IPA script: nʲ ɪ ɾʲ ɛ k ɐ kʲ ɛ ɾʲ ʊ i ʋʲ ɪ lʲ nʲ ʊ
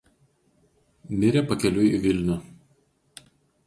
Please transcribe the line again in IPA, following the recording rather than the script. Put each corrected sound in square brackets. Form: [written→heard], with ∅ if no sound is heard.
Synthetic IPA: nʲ ɪ ɾʲ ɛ [k→p] ɐ kʲ ɛ [ɾʲ→lʲ] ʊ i ʋʲ ɪ lʲ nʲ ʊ

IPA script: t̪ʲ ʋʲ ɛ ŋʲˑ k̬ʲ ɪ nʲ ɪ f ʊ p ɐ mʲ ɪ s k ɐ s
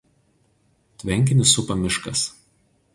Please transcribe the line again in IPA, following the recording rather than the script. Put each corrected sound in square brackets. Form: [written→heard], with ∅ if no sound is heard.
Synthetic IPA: t̪ʲ ʋʲ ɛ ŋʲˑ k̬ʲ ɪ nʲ ɪ [f→s] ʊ p ɐ mʲ ɪ [s→ʃ] k ɐ s

